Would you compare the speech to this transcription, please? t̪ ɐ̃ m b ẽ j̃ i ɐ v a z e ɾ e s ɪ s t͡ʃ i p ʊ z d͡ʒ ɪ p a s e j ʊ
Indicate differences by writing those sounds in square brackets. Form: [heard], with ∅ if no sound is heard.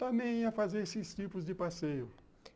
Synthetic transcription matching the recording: t̪ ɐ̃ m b ẽ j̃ i ɐ [f] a z e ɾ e s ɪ s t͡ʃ i p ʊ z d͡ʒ ɪ p a s e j ʊ